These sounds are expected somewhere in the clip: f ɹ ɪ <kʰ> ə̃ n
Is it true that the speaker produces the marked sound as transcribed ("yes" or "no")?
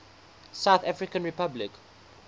no